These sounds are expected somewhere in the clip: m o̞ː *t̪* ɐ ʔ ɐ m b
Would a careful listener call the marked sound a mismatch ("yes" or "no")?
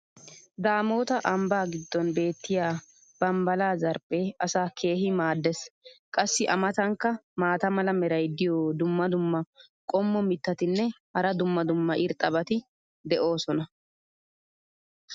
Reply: no